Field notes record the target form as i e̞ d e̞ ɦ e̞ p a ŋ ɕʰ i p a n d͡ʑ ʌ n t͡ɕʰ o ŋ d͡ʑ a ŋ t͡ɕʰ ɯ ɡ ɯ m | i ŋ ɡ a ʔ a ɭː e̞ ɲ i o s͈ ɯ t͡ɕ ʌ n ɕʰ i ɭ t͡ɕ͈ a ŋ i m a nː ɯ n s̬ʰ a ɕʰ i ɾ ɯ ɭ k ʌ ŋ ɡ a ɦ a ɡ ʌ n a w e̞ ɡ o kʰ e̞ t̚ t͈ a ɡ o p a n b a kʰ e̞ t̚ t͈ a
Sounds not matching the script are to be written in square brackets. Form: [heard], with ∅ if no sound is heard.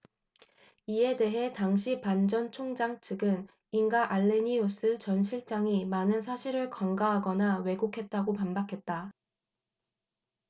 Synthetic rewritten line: i e̞ d e̞ ɦ e̞ [t] a ŋ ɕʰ i p a n d͡ʑ ʌ n t͡ɕʰ o ŋ d͡ʑ a ŋ t͡ɕʰ ɯ ɡ ɯ [n] | i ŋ ɡ a ʔ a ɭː e̞ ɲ i o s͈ ɯ t͡ɕ ʌ n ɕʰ i ɭ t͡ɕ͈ a ŋ i m a [n] ɯ n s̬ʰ a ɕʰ i ɾ ɯ ɭ k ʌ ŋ ɡ a ɦ a ɡ ʌ n a w e̞ ɡ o kʰ e̞ t̚ t͈ a ɡ o p a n b a kʰ e̞ t̚ t͈ a